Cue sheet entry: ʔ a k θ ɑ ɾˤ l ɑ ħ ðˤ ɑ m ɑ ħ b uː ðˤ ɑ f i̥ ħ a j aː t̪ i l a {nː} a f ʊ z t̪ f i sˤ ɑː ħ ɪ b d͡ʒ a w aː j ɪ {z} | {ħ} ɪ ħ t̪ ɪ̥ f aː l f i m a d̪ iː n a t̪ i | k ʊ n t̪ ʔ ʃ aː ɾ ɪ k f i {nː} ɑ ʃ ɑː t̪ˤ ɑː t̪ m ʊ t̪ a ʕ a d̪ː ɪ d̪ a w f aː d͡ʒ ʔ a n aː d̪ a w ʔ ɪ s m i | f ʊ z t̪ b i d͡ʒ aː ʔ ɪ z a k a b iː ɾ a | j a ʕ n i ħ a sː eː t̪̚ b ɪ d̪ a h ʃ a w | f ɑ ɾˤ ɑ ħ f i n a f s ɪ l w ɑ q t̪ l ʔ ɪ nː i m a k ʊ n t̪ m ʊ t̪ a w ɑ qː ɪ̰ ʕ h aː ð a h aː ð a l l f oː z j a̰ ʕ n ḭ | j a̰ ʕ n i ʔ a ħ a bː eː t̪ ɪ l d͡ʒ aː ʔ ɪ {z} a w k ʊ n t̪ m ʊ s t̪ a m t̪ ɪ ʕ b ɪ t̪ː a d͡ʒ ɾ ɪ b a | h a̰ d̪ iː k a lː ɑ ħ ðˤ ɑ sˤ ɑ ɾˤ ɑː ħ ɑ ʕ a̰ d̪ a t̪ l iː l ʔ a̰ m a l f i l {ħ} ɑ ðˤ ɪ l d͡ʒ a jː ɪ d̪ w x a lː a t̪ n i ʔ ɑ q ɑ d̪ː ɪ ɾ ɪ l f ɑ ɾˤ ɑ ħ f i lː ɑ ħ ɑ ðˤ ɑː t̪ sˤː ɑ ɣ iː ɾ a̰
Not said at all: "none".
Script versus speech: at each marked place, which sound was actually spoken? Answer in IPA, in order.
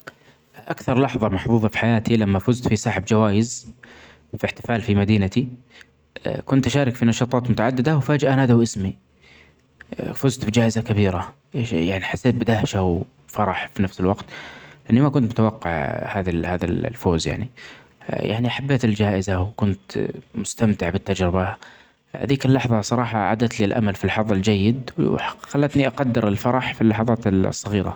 mː, z, f, n, z, ħ

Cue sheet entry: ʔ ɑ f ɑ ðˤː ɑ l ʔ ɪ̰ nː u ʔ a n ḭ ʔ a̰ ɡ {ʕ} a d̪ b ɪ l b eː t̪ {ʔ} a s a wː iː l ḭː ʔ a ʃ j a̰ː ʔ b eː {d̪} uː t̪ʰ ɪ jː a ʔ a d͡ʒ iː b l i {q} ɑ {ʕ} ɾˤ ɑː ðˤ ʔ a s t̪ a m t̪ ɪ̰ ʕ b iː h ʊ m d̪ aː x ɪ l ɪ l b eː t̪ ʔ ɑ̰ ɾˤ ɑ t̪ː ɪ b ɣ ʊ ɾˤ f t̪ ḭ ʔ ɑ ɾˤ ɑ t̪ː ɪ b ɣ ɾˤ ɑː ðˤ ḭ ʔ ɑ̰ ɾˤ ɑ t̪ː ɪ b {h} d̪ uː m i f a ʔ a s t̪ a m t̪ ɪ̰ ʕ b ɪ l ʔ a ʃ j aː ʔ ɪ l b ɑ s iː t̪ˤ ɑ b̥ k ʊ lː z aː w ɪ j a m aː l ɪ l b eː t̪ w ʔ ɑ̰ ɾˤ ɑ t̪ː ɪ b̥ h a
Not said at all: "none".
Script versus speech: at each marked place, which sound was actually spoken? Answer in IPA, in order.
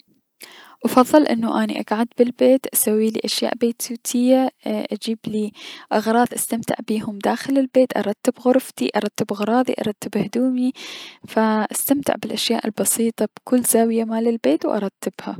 ʕ, ʔ, t̪, ʔ, ɣ, h

